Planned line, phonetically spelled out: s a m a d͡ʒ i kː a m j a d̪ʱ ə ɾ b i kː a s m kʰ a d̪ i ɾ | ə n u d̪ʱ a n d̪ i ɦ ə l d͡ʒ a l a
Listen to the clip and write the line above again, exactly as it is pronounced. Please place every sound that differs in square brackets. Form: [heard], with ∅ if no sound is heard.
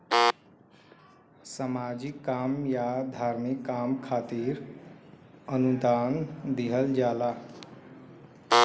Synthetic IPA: s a m a d͡ʒ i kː a m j a d̪ʱ [a] ɾ [m] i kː a [∅] m kʰ a [t̪] i ɾ | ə n u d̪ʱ a n d̪ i ɦ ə l d͡ʒ a l a